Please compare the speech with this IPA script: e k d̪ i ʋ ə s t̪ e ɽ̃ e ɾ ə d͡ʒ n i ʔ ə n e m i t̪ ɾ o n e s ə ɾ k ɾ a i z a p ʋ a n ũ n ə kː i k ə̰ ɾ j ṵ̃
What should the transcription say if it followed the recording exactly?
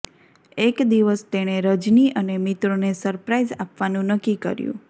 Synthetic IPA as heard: e k d̪ i ʋ ə s t̪ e ɽ̃ e ɾ ə d͡ʒ n i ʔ ə n e m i t̪ ɾ o n e s ə ɾ p ɾ a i z a p ʋ a n ũ n ə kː i k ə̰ ɾ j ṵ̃